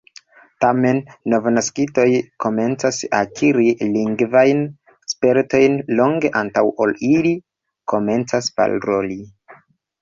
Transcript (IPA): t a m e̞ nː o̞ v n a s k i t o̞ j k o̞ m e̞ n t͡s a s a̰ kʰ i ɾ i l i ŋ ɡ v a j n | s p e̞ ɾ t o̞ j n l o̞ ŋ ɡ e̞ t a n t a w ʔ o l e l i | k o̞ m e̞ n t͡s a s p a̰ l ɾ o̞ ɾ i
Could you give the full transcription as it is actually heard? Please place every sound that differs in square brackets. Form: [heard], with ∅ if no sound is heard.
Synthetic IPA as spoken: t a m e̞ nː o̞ v n a s k i t o̞ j k o̞ m e̞ n t͡s a s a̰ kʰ i ɾ i l i ŋ ɡ v a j n | s p e̞ ɾ t o̞ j n l o̞ ŋ ɡ e̞ [ʔ] a n t a w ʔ o l [i] l i | k o̞ m e̞ n t͡s a s p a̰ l ɾ o̞ [l] i